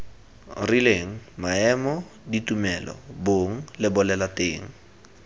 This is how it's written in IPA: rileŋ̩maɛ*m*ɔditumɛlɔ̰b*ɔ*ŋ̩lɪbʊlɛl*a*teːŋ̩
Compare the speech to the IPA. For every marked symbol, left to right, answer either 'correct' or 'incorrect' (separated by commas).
correct, incorrect, correct